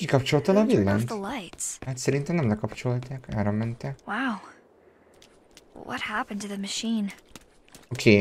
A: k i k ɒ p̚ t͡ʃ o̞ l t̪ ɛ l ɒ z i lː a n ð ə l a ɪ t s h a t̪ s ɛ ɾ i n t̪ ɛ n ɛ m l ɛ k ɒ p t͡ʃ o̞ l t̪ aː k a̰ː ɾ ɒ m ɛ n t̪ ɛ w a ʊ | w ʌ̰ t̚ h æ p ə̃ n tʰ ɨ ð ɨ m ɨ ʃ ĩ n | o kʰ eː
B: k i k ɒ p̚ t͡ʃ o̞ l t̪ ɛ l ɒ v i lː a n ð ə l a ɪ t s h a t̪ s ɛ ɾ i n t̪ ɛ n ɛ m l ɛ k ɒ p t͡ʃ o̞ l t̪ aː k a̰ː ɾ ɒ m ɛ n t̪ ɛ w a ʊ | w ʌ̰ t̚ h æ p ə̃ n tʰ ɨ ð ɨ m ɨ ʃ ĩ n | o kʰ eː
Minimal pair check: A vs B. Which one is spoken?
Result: B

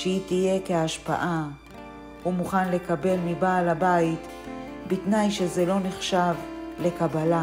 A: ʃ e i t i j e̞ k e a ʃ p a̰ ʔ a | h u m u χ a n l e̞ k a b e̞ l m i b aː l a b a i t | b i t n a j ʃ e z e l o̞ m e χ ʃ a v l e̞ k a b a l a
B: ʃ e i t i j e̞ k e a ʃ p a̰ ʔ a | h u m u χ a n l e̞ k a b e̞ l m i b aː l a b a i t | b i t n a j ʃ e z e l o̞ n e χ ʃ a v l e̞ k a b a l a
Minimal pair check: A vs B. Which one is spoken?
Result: B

